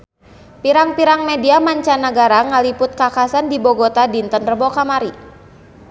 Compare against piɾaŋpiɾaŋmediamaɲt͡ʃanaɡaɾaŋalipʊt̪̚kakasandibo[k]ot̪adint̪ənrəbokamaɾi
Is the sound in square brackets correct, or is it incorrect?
incorrect